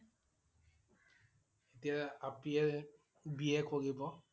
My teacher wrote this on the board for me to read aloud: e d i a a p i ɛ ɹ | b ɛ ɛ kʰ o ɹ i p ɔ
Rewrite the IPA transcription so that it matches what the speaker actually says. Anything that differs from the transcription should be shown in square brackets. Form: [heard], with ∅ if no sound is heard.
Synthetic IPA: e [t] i a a p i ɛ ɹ | b [i] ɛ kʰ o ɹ i [b] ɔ